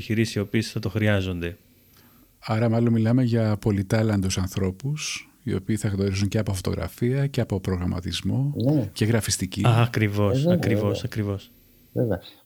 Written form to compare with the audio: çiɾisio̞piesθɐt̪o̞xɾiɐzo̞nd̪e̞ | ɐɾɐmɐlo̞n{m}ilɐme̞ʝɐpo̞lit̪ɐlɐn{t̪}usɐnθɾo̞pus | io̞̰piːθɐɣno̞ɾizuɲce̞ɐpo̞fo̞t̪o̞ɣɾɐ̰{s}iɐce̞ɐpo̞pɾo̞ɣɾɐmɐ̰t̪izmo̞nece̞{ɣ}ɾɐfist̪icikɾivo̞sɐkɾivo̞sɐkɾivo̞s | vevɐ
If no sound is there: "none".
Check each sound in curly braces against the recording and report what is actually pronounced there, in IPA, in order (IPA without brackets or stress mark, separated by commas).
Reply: m, d̪, f, ɣ